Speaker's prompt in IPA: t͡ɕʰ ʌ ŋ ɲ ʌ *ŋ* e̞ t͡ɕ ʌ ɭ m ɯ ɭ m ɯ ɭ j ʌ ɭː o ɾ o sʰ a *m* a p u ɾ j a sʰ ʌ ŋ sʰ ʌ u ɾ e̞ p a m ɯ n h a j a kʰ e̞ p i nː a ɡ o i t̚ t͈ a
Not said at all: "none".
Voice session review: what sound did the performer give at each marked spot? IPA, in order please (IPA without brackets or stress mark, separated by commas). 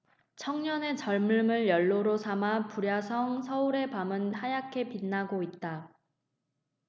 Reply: n, m